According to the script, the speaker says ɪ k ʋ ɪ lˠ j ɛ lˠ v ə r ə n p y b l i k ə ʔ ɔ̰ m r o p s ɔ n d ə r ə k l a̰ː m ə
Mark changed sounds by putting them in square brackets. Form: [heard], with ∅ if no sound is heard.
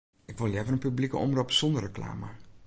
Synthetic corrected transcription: ɪ k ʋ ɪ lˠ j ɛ [∅] v ə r ə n p y b l i k ə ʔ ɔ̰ m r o p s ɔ n d ə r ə k l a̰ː m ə